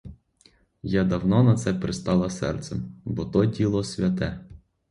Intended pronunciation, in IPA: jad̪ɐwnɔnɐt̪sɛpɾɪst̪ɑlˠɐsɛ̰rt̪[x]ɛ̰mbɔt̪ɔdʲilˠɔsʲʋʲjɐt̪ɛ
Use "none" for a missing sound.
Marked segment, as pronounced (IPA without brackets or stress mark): s